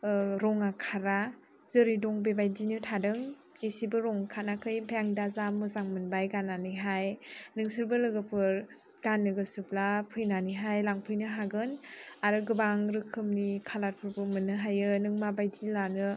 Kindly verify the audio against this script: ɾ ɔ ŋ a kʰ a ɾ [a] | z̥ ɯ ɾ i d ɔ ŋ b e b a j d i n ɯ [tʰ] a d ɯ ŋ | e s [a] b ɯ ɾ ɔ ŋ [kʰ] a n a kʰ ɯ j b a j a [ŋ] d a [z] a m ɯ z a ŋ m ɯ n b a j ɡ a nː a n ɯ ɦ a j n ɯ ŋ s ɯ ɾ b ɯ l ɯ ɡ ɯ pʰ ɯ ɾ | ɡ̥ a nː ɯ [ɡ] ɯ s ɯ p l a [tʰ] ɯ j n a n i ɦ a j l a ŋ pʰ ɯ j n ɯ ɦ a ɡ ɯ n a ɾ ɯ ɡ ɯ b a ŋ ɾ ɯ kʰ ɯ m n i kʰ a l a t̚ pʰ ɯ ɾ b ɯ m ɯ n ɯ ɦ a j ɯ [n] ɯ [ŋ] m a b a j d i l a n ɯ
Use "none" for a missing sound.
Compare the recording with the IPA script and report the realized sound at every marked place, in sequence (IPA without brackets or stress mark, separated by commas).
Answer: a, tʰ, i, kʰ, ŋ, z, ɡ, pʰ, n, ŋ